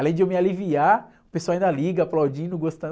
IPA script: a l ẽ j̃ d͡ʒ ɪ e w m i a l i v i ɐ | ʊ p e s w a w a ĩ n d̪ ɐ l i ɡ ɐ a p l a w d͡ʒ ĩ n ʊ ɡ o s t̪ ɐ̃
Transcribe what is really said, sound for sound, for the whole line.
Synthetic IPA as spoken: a l ẽ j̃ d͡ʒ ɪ e w m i a l i v i a | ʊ p e s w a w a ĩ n d̪ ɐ l i ɡ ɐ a p l a w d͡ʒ ĩ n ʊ ɡ o s t̪ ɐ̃